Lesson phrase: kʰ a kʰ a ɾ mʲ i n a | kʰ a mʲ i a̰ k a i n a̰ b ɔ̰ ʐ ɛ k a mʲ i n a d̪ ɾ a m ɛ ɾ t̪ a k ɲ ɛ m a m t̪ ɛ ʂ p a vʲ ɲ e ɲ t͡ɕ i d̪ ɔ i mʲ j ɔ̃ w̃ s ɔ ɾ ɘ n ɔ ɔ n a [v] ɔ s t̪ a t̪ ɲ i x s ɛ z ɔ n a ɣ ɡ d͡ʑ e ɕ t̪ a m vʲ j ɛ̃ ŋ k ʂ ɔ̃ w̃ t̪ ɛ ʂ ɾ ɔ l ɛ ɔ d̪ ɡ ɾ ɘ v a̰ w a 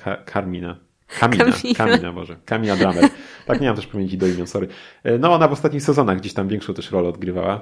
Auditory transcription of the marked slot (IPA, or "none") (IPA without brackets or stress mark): v